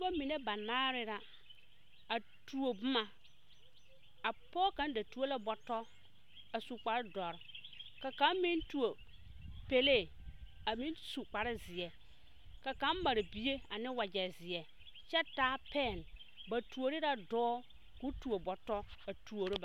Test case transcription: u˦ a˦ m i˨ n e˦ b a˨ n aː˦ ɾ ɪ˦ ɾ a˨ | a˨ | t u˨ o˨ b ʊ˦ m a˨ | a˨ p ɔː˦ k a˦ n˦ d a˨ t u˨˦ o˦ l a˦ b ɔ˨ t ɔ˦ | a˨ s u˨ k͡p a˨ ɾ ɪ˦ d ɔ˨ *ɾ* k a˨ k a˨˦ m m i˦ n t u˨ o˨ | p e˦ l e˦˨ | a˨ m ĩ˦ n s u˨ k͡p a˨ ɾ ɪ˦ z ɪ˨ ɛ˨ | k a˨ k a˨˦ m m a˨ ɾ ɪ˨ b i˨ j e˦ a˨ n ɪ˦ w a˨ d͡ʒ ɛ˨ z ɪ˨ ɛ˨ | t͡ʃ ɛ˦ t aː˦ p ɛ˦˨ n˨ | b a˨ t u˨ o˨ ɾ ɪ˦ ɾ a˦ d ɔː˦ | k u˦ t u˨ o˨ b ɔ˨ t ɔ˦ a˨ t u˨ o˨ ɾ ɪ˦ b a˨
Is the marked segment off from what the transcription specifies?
no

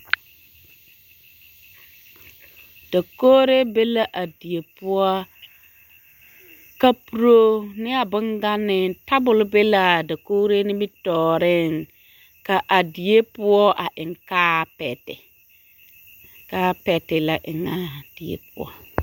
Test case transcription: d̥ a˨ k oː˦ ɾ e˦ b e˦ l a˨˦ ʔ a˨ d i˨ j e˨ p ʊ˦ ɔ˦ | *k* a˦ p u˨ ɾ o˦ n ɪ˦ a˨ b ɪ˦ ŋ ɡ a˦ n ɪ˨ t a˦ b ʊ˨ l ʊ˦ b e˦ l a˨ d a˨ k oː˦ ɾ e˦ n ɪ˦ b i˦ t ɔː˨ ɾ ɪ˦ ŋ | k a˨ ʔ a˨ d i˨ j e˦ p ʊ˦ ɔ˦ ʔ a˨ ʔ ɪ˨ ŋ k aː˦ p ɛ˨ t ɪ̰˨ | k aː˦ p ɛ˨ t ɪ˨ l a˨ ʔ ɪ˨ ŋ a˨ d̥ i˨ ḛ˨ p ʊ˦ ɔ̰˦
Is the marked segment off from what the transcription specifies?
no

